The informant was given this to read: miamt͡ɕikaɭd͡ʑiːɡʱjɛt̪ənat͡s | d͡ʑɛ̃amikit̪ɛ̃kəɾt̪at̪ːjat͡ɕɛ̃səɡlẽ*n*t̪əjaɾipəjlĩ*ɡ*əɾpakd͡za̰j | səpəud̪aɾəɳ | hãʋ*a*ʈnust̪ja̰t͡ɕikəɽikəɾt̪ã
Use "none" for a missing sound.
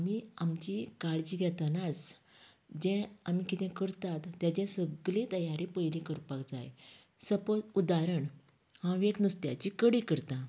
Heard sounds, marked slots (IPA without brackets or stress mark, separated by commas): none, k, e